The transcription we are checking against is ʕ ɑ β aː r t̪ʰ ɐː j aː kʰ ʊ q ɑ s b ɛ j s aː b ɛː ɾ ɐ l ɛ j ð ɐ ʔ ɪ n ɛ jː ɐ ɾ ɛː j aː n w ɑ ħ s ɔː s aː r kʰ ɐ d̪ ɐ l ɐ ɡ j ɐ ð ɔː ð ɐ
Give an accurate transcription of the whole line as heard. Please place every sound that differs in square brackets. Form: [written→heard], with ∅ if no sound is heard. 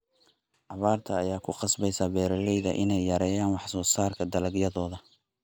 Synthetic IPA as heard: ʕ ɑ β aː r t̪ʰ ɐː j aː kʰ ʊ q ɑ s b ɛ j s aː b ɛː ɾ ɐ l ɛ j ð ɐ ʔ ɪ n ɛ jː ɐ ɾ ɛː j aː n w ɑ ħ s ɔː s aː r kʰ ɐ d̪ ɐ l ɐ ɡ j ɐ ð ɔː ð ɐ